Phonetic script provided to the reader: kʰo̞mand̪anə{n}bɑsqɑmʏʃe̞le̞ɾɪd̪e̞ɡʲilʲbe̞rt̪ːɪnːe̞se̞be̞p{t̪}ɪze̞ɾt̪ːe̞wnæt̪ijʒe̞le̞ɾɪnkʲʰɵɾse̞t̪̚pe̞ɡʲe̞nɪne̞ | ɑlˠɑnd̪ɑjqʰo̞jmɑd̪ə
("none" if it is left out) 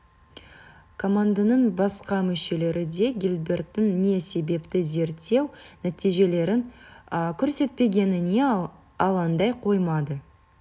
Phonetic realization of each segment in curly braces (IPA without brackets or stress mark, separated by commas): ɴ, t̪